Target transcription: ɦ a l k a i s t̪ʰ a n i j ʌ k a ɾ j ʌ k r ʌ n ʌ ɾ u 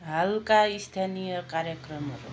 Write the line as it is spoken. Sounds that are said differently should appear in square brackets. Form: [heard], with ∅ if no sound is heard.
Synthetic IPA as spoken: ɦ a l k a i s t̪ʰ a n i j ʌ k a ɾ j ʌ k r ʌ [m] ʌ ɾ u